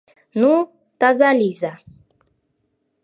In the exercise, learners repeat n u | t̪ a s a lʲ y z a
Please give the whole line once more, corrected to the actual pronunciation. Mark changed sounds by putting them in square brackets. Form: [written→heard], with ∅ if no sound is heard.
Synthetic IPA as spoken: n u | t̪ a [s→z] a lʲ [y→i] z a